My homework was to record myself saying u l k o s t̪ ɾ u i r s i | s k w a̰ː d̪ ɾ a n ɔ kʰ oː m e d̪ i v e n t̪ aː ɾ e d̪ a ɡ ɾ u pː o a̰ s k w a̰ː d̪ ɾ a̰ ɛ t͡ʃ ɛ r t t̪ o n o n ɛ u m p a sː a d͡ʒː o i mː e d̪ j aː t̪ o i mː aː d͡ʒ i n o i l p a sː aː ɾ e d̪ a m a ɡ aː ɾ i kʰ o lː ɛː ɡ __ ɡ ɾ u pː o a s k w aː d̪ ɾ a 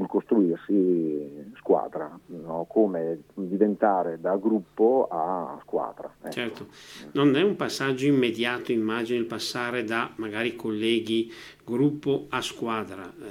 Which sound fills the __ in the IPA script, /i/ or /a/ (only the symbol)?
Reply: i